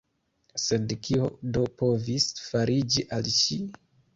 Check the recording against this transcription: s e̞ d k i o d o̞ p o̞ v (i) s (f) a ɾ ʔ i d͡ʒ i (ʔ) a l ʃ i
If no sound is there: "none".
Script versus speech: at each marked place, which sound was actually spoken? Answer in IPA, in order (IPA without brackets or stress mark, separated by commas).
i, f, ʔ